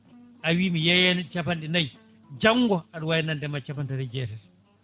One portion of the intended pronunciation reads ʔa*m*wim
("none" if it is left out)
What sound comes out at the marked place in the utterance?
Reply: none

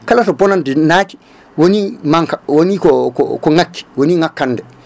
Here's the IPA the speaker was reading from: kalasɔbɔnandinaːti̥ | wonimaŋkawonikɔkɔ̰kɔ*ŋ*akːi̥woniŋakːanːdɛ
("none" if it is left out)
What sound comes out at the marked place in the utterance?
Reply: ŋ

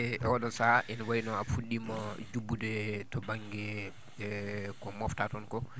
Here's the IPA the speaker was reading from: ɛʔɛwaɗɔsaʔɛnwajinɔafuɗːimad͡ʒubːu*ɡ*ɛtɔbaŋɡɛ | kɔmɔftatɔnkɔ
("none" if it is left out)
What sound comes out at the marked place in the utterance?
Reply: d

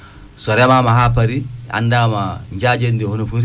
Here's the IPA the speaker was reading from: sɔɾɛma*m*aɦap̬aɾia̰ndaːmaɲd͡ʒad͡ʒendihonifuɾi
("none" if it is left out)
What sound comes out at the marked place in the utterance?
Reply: m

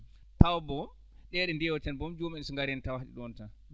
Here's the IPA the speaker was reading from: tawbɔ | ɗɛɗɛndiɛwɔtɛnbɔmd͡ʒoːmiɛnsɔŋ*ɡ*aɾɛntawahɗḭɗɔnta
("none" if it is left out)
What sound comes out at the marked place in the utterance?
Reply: ɡ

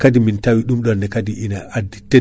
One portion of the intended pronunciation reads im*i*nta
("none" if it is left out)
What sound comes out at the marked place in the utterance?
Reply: i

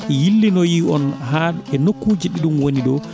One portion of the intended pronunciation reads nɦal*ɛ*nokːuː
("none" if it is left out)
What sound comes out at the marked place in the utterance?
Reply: ɛ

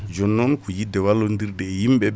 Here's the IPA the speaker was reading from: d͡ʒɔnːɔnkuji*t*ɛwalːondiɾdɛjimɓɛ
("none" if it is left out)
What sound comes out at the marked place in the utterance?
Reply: d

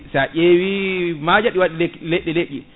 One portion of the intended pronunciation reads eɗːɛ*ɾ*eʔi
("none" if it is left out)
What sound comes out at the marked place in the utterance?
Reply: l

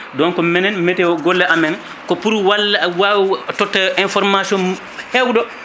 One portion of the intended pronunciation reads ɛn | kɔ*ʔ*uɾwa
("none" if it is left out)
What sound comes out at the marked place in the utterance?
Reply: p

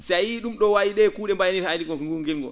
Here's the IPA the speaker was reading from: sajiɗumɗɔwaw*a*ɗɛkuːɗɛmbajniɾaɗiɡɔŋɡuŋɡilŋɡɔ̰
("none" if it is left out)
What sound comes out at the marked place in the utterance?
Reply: i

